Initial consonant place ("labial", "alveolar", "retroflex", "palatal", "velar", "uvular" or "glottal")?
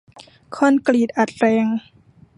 velar